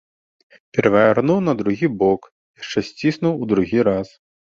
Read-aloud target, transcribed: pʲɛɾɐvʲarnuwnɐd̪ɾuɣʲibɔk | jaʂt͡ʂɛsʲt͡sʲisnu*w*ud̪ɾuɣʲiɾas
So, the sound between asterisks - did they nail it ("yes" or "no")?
yes